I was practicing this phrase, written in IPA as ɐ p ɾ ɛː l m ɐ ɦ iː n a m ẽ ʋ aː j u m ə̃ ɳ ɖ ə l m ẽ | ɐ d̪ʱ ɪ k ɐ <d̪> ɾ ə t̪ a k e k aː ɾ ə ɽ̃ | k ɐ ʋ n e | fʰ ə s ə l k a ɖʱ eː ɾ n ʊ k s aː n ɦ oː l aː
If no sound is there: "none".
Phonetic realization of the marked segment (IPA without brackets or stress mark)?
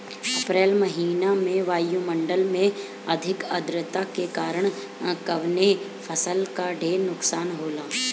d̪